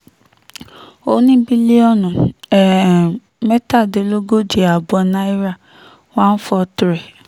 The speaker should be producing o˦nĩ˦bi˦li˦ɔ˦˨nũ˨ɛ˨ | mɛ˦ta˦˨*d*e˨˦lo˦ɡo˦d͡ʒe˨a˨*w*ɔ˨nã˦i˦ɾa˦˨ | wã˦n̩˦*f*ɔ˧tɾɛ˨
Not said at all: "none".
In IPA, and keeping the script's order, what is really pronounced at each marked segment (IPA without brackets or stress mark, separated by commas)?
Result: d, b, f